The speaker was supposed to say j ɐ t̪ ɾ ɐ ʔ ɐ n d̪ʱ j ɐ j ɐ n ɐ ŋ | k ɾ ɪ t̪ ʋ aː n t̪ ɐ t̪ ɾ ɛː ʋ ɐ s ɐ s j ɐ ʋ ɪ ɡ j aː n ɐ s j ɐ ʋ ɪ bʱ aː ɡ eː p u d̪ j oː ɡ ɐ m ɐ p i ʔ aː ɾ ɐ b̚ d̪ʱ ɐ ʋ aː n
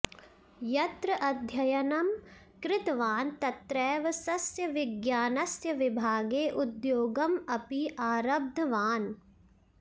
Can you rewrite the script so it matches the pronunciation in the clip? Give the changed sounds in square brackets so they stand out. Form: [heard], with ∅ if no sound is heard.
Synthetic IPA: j ɐ t̪ ɾ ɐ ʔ ɐ [∅] d̪ʱ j ɐ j ɐ n ɐ [m] | k ɾ ɪ t̪ ʋ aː n t̪ ɐ t̪ ɾ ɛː ʋ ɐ s ɐ s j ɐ ʋ ɪ ɡ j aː n ɐ s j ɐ ʋ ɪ bʱ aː ɡ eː [ʔ] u d̪ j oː ɡ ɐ m ɐ p i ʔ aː ɾ ɐ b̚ d̪ʱ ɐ ʋ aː n